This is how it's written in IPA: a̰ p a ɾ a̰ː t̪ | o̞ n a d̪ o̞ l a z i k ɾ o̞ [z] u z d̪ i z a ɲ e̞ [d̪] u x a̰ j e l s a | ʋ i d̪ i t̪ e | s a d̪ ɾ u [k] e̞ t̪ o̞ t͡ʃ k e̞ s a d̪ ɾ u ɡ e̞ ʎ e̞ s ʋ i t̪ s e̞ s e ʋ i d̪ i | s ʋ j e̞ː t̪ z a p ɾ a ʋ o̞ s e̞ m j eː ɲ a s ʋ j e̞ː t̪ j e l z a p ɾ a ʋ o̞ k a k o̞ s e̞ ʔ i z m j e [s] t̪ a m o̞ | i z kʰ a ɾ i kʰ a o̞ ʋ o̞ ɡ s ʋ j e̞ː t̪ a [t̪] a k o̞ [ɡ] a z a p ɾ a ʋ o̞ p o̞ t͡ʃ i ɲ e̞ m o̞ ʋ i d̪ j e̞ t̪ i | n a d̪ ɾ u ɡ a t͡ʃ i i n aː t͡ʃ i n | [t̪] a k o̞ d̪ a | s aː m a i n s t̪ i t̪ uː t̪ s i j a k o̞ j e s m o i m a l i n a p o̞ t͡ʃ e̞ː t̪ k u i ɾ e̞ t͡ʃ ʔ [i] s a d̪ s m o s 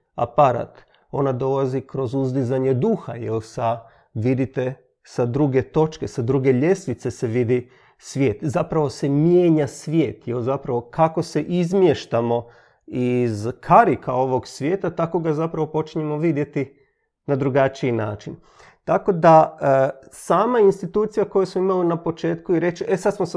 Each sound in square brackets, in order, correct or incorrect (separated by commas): correct, correct, incorrect, incorrect, correct, correct, correct, incorrect